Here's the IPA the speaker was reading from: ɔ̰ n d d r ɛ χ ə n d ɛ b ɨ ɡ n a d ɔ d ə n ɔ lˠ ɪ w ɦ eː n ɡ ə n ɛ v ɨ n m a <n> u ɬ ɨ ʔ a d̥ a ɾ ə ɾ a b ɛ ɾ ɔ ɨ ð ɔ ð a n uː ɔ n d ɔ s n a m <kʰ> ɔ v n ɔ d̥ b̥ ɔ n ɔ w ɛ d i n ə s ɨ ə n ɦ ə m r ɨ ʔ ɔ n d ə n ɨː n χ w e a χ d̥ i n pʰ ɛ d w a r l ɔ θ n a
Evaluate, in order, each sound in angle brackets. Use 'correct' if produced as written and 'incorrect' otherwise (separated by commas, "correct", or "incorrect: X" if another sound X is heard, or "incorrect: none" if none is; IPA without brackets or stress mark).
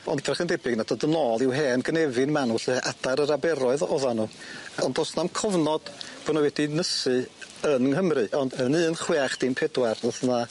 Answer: correct, correct